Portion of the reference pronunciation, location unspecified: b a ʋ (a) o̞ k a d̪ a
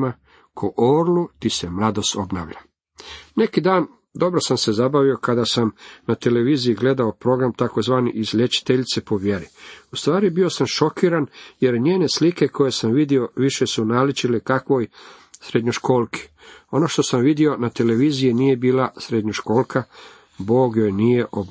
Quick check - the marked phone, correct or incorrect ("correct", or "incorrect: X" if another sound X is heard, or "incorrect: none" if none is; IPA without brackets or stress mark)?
incorrect: i